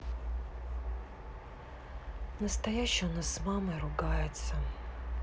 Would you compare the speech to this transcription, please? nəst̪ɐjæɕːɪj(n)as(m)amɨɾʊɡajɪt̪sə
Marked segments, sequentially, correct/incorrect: correct, correct

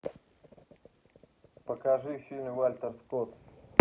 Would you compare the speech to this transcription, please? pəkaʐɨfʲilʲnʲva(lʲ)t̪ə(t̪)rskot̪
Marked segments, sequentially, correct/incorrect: correct, incorrect: none

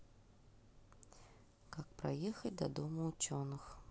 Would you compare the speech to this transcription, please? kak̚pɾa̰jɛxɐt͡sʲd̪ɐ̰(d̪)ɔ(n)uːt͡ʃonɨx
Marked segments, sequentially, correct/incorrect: correct, incorrect: m

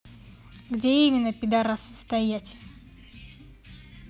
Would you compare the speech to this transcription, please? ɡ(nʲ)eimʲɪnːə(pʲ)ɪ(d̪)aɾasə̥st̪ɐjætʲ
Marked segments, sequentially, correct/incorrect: incorrect: dʲ, correct, correct

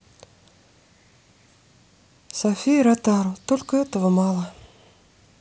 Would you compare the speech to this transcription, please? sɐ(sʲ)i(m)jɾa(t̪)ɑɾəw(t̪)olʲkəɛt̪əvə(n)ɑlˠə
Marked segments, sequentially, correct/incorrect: incorrect: fʲ, incorrect: none, correct, correct, incorrect: m

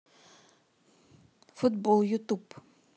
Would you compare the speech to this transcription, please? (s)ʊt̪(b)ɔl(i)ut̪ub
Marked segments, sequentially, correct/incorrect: incorrect: f, correct, incorrect: j

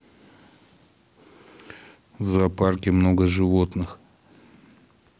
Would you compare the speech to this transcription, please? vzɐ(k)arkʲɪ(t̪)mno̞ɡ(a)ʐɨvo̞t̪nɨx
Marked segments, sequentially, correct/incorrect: incorrect: p, incorrect: none, incorrect: ə

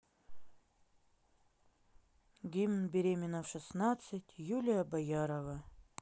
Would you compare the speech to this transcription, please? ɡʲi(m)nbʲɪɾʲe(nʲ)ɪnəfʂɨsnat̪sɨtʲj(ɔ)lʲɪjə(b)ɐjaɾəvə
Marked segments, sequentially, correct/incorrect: correct, incorrect: mʲ, incorrect: u, correct

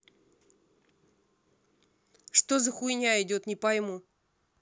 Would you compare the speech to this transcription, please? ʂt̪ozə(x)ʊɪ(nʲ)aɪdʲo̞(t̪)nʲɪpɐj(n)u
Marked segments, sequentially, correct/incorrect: correct, correct, correct, incorrect: m

